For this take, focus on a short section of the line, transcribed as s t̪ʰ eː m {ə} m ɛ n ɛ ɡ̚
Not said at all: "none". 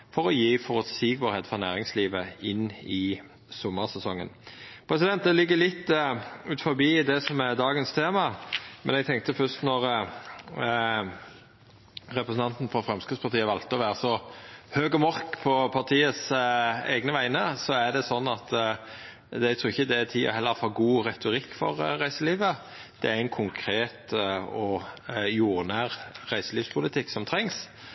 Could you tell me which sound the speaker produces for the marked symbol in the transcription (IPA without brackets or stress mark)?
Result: ɑ